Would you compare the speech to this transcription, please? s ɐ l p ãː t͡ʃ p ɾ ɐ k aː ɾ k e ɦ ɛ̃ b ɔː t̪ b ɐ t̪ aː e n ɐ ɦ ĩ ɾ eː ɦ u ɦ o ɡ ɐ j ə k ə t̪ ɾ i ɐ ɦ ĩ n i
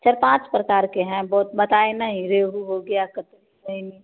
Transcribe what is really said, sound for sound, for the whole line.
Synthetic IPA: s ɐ ɾ p ãː t͡ʃ p ɾ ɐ k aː ɾ k e ɦ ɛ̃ b ɔː t̪ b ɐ t̪ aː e n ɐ ɦ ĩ ɾ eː ɦ u ɦ o ɡ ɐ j a k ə t̪ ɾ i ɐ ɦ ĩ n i